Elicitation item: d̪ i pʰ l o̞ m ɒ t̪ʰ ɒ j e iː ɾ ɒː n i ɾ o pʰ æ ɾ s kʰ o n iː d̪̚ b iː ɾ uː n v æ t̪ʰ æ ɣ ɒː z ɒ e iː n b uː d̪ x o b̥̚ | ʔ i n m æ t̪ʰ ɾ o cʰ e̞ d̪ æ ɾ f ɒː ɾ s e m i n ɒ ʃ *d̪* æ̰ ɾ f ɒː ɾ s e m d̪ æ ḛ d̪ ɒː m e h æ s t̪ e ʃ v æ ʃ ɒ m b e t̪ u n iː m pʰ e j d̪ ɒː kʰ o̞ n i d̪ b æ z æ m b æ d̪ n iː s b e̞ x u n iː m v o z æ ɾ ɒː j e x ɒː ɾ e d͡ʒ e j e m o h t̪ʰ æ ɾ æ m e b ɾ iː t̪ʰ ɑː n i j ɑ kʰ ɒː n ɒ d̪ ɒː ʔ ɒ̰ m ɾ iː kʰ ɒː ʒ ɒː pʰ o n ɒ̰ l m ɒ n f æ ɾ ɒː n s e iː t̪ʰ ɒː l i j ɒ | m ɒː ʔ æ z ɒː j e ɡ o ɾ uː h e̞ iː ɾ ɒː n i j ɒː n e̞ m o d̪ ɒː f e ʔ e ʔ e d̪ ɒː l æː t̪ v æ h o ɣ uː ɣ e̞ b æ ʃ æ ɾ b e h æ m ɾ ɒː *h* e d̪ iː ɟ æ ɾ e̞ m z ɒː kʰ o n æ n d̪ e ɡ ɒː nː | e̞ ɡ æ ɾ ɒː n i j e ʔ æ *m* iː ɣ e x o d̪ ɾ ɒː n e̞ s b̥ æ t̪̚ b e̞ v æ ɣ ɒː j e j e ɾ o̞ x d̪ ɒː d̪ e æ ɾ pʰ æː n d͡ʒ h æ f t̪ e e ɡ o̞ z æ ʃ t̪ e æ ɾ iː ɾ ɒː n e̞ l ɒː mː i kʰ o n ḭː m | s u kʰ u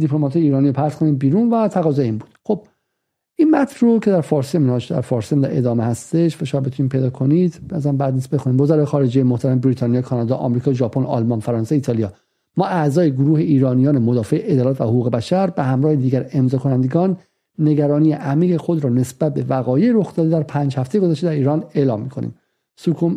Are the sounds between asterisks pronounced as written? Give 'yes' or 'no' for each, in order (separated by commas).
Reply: yes, yes, yes